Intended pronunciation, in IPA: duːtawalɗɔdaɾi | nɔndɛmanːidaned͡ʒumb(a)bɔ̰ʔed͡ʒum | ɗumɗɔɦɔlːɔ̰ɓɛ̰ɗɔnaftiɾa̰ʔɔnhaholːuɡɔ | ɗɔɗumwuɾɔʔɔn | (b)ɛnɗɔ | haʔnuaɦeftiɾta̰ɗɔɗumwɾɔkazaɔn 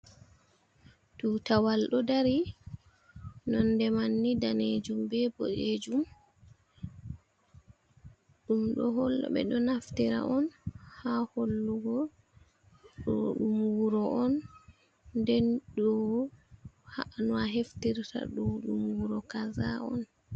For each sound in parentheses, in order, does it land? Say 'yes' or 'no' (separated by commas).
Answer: no, no